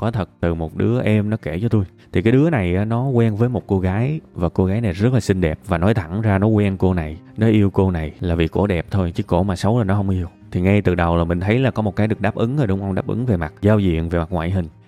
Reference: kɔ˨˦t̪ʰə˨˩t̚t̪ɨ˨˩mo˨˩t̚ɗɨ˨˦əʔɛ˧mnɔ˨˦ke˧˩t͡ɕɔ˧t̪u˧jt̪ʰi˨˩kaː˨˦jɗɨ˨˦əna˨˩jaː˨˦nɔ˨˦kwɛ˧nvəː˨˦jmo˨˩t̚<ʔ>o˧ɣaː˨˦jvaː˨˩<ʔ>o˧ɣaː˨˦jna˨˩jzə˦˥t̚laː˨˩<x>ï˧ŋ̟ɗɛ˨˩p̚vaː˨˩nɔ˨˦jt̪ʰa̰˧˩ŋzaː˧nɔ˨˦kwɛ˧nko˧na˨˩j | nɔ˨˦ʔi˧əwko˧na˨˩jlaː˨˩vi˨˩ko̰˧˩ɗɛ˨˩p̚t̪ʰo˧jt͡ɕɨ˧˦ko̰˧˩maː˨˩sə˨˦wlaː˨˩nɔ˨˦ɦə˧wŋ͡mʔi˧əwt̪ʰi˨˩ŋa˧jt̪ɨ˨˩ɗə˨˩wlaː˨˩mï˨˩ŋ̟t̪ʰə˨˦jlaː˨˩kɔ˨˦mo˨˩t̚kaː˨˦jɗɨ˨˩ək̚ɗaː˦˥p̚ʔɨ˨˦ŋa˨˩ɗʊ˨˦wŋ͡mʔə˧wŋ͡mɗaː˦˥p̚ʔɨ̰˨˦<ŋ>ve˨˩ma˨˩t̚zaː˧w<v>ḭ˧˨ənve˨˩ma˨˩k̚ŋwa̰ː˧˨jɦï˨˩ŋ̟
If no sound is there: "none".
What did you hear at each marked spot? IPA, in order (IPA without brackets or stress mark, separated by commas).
k, k, s, ŋ, z